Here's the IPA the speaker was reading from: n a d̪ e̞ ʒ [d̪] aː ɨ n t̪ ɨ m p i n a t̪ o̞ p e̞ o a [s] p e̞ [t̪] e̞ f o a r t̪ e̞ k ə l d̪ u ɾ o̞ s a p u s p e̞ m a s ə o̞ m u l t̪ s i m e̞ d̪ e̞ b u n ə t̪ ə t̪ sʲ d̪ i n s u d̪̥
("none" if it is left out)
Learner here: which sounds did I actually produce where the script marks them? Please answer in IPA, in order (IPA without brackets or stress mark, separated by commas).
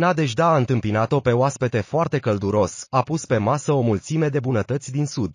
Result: d̪, s, t̪